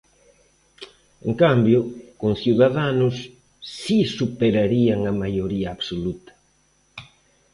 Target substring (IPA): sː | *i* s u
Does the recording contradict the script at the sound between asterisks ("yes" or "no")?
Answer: no